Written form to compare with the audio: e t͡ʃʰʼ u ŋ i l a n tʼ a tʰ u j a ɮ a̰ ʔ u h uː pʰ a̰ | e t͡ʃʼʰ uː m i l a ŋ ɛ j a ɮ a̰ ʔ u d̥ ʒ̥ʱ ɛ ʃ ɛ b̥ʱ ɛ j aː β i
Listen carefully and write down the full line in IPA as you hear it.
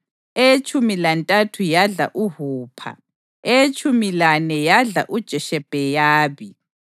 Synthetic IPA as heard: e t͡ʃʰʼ u m i l a n tʼ a tʰ u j a ɮ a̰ ʔ u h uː pʰ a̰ | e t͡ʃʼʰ u m i l a n ɛ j a ɮ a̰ ʔ u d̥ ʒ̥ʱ ɛ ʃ ɛ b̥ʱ ɛ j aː β i